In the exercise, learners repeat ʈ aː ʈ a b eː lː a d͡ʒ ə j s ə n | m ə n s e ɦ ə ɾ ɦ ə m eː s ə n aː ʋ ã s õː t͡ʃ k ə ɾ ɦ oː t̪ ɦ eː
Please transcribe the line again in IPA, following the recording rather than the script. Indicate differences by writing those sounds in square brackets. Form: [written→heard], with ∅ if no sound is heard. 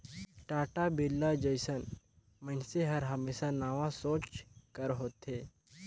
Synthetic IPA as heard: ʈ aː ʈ a b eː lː a d͡ʒ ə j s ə n | m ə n s e ɦ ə ɾ ɦ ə m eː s [ə→a] n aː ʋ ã s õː t͡ʃ k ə ɾ ɦ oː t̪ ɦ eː